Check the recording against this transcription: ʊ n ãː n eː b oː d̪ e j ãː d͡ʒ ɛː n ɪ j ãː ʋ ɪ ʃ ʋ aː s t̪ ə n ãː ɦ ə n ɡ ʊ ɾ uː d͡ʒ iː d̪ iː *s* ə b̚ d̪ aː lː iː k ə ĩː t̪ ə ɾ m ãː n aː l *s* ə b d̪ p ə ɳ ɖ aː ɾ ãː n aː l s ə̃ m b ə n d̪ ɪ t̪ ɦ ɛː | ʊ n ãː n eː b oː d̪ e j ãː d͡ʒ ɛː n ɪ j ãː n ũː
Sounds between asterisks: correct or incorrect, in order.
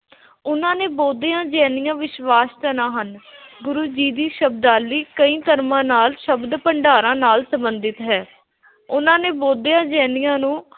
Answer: incorrect, incorrect

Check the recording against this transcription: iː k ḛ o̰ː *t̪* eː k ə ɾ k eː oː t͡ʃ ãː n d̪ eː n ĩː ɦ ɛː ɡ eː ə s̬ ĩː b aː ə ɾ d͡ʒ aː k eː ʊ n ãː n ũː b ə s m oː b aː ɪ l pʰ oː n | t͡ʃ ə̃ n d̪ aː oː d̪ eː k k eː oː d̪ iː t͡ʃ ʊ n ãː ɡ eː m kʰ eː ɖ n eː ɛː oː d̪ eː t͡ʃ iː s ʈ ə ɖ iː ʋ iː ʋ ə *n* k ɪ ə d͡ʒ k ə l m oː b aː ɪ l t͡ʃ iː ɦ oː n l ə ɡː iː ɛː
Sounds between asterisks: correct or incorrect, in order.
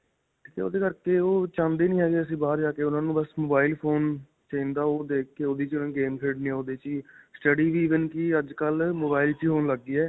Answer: incorrect, correct

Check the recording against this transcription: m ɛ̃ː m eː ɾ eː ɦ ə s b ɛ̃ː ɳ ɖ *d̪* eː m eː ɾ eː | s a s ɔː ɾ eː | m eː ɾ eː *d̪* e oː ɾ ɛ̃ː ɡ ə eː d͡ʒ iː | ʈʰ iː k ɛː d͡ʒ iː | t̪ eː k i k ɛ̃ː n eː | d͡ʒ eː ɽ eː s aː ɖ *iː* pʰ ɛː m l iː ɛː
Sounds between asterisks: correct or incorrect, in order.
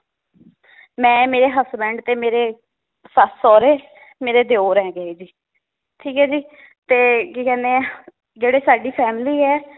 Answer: incorrect, correct, correct

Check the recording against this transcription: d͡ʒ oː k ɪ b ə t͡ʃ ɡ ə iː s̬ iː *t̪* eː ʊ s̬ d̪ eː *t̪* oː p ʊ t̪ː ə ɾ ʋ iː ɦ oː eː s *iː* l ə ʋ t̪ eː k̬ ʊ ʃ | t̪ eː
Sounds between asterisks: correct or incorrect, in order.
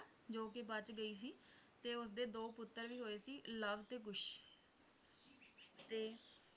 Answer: correct, incorrect, correct

